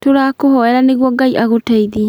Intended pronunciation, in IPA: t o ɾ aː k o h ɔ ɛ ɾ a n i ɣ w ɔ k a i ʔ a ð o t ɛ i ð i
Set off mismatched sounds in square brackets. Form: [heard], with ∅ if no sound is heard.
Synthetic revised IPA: t o ɾ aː k o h ɔ ɛ ɾ a n [e] ɣ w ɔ [ɡ] a i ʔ a [ɣ] o t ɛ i ð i